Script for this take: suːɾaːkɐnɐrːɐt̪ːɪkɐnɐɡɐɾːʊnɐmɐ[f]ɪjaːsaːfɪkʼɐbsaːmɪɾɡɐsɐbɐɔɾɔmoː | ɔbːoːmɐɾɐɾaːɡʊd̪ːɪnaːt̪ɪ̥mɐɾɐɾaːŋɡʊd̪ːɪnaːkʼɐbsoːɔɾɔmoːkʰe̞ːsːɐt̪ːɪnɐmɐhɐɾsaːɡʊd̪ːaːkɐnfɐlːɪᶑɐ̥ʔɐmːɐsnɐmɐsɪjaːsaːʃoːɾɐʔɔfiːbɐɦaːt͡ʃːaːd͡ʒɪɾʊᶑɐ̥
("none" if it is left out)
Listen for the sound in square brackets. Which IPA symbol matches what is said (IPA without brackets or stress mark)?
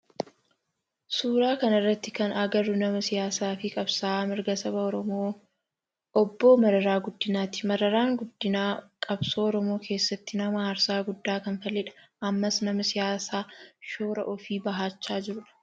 s